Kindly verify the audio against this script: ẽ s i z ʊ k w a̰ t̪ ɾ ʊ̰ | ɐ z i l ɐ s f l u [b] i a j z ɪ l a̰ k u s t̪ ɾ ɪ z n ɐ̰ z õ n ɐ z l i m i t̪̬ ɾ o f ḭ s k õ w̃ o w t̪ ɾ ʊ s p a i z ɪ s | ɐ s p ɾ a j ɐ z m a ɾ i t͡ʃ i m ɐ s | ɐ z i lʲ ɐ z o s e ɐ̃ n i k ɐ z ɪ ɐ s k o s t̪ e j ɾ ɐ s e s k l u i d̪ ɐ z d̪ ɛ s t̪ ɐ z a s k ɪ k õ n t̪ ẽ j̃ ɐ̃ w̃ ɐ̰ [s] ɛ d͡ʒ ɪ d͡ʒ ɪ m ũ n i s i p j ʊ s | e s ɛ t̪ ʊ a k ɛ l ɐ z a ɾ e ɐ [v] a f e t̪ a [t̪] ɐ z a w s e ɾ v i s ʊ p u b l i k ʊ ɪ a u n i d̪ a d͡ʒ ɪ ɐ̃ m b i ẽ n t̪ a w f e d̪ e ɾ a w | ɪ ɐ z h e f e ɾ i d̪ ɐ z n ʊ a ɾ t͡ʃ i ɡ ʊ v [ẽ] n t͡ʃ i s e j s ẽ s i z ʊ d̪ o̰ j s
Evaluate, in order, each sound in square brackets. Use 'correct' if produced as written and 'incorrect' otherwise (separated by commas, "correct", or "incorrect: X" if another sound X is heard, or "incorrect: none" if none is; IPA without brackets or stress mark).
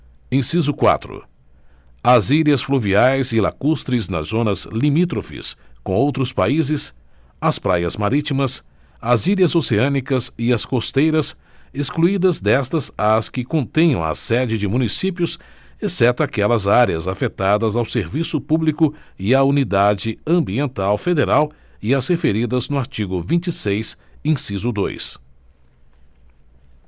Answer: incorrect: v, correct, incorrect: z, incorrect: d̪, incorrect: ĩ